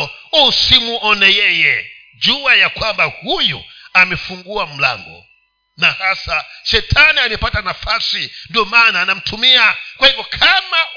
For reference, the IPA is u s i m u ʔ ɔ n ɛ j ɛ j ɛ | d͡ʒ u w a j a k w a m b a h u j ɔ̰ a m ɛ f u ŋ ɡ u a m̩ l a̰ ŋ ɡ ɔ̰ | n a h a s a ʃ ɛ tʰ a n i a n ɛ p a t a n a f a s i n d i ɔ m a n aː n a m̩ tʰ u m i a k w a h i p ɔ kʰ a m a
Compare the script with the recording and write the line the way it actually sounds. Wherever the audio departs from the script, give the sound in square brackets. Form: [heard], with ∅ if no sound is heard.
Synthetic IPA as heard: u s i m u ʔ ɔ n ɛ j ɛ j ɛ | d͡ʒ u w a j a k w a m b a h u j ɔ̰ a m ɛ f u ŋ ɡ u a m̩ l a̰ ŋ ɡ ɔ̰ | n a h a s a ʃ ɛ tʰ a n i a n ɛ p a t a n a f a s i n d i ɔ m a n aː n a m̩ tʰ u m i a k w a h i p ɔ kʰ a m a